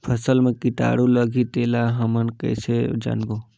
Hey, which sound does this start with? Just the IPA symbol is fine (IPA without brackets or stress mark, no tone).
pʰ